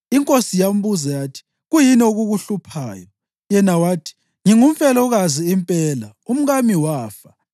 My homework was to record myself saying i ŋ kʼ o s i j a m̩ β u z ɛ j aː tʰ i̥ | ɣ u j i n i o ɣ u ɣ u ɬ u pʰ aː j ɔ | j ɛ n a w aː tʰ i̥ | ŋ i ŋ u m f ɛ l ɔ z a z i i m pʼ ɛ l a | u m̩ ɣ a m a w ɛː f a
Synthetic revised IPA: i ŋ kʼ o s i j a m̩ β u z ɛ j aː tʰ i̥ | ɣ u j i n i o ɣ u ɣ u ɬ u pʰ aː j ɔ | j ɛ n a w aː tʰ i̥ | ŋ i ŋ u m f ɛ l ɔ ɣ a z i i m pʼ ɛ l a | u m̩ ɣ a m i w aː f a

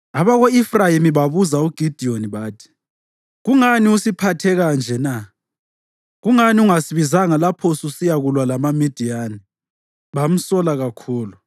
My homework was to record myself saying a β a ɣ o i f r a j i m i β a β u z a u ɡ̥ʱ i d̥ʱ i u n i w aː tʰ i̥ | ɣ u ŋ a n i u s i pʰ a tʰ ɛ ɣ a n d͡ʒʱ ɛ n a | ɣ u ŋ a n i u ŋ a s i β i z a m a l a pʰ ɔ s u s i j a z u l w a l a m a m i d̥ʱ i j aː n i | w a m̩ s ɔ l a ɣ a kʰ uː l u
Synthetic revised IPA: a β a ɣ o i f r a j i m i β a β u z a u ɡ̥ʱ i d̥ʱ i o n i β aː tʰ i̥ | ɣ u ŋ a n i u s i pʰ a tʰ ɛ ɣ a n d͡ʒʱ ɛ n a | ɣ u ŋ a n i u ŋ a s i β i z a ŋ a l a pʰ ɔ s u s i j a ɣ u l w a l a m a m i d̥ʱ i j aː n i | β a m̩ s ɔ l a ɣ a kʰ uː l u

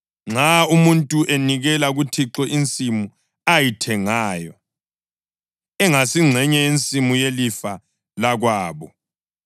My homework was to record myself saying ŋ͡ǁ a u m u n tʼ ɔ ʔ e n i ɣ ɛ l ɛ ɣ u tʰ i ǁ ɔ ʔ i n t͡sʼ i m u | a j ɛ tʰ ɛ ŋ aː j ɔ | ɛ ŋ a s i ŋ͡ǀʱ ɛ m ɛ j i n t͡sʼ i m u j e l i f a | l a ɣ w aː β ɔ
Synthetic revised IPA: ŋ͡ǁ a u m u n tʼ u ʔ e n i ɣ ɛ l a ɣ u tʰ i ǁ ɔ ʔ i n t͡sʼ i m u | a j i tʰ ɛ ŋ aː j ɔ | ɛ ŋ a s i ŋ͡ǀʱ ɛ ɲ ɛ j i n t͡sʼ i m u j e l i f a | l a ɣ w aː β ɔ

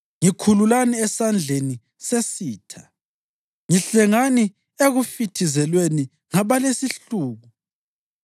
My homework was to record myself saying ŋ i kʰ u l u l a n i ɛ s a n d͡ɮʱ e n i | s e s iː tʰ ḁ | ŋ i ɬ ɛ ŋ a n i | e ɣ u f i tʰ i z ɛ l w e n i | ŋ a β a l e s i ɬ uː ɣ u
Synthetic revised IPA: ŋ i kʰ u l u l a n i ɛ s a n d͡ɮʱ e n i | s e s iː tʰ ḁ | ŋ i ɬ ɛ ŋ a n i | e ɣ u f i tʰ i z ɛ l w e n i | ŋ a β a l e s i ɬ uː ɣ u

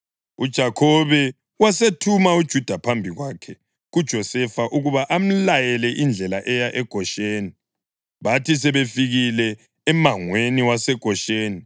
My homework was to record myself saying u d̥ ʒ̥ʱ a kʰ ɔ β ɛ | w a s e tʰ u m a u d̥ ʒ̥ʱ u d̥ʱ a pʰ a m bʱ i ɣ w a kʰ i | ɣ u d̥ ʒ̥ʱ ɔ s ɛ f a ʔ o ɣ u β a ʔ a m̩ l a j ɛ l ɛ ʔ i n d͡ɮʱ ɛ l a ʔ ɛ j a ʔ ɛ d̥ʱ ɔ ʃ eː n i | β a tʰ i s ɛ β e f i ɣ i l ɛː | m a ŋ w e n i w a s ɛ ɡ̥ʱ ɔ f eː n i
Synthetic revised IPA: u d̥ ʒ̥ʱ a kʰ ɔ β ɛ | w a s e tʰ u m a u d̥ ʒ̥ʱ u d̥ʱ a pʰ a m bʱ i ɣ w a kʰ ɛ | ɣ u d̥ ʒ̥ʱ ɔ s ɛ f a ʔ u ɣ u β a ʔ a m̩ l a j ɛ l ɛ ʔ i n d͡ɮʱ ɛ l a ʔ ɛ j a ʔ ɛ ɡ̥ʱ ɔ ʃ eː n i | β a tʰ i s ɛ β e f i ɣ i l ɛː | m a ŋ w e n i w a s ɛ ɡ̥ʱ ɔ ʃ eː n i

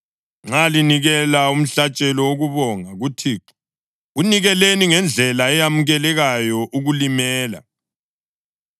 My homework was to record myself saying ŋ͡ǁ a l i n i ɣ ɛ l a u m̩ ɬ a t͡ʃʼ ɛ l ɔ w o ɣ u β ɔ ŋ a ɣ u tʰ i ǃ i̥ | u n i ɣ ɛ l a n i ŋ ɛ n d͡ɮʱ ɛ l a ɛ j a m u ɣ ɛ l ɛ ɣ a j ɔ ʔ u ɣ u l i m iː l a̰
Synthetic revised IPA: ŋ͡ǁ a l i n i ɣ ɛ l a u m̩ ɬ a t͡ʃʼ ɛ l ɔ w o ɣ u β ɔ ŋ a ɣ u tʰ i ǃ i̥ | u n i ɣ ɛ l e n i ŋ ɛ n d͡ɮʱ ɛ l a ɛ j a m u ɣ ɛ l ɛ ɣ a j ɔ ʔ u ɣ u l i m ɛː l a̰

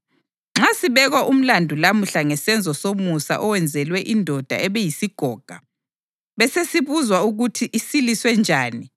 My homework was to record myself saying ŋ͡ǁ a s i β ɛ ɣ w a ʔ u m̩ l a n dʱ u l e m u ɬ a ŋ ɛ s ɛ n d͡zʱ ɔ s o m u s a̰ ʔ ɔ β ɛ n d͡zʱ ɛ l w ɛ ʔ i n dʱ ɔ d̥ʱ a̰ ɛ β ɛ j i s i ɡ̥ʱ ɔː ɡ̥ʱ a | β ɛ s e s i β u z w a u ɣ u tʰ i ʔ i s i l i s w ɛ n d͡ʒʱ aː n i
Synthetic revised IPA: ŋ͡ǁ a s i β ɛ ɣ w a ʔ u m̩ l a n dʱ u l a m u ɬ a ŋ ɛ s ɛ n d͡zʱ ɔ s o m u s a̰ ʔ ɔ w ɛ n d͡zʱ ɛ l w ɛ ʔ i n dʱ ɔ d̥ʱ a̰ ɛ β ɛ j i s i ɡ̥ʱ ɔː ɡ̥ʱ a | β ɛ s e s i β u z w a u ɣ u tʰ i ʔ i s i l i s w ɛ n d͡ʒʱ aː n i

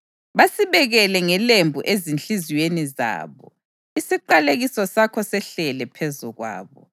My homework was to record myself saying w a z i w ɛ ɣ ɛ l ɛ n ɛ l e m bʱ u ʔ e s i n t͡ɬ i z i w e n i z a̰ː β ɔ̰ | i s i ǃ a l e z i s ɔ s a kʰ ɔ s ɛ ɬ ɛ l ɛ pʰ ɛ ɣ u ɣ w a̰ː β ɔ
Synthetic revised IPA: β a s i β ɛ ɣ ɛ l ɛ ŋ ɛ l e m bʱ u ʔ e z i n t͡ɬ i z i w e n i z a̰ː β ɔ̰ | i s i ǃ a l e ɣ i s ɔ s a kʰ ɔ s ɛ ɬ ɛ l ɛ pʰ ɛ z u ɣ w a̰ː β ɔ

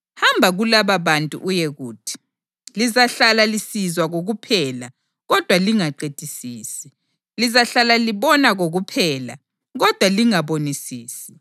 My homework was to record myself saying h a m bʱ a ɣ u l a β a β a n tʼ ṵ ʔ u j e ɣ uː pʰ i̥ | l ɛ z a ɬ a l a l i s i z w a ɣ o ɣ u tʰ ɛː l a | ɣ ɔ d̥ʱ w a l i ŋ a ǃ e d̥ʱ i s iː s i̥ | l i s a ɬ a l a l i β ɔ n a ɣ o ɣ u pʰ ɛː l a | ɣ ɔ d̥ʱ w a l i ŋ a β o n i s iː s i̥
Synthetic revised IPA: h a m bʱ a ɣ u l a β a β a n tʼ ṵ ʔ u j e ɣ uː tʰ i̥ | l i z a ɬ a l a l i s i z w a ɣ o ɣ u pʰ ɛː l a | ɣ ɔ d̥ʱ w a l i ŋ a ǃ e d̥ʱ i s iː s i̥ | l i z a ɬ a l a l i β ɔ n a ɣ o ɣ u pʰ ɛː l a | ɣ ɔ d̥ʱ w a l i ŋ a β o n i s iː s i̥

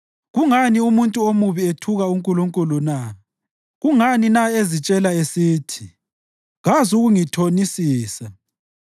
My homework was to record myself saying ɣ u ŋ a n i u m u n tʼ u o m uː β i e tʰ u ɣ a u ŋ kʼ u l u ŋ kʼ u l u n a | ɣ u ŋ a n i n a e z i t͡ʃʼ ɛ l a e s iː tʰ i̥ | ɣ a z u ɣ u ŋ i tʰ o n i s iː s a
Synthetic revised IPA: ɣ u ŋ a n i u m u n tʼ u o m u β i e tʰ u ɣ a u ŋ kʼ u l u ŋ kʼ u l u n a | ɣ u ŋ a n i n a e z i t͡ʃʼ ɛ l a e s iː tʰ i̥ | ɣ a z u ɣ u ŋ i tʰ o n i s iː s a

